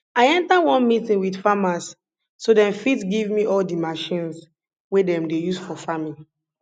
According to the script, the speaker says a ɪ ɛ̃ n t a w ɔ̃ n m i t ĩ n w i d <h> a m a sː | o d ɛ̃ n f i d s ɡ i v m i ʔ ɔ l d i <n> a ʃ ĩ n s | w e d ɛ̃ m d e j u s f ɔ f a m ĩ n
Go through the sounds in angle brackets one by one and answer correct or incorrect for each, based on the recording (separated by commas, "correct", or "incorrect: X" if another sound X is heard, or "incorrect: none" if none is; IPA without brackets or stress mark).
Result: incorrect: f, incorrect: m